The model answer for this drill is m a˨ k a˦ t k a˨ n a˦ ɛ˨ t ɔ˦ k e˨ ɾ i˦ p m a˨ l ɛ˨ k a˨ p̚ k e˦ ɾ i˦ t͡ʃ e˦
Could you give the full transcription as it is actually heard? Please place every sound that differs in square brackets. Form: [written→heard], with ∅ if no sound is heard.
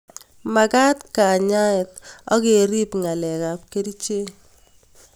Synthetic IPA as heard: m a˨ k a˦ t k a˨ [n→ɲ] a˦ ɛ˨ t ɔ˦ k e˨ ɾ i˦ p [m→ŋ] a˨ l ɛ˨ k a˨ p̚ k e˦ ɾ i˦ t͡ʃ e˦